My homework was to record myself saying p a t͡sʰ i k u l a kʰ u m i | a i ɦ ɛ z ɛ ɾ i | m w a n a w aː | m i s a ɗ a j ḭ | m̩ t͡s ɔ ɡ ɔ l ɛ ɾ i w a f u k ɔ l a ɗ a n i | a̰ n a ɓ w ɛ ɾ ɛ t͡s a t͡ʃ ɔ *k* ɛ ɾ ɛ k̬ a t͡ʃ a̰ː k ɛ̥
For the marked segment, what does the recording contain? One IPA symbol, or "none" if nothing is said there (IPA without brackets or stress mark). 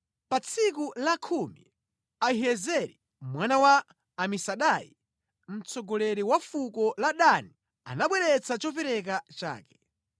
p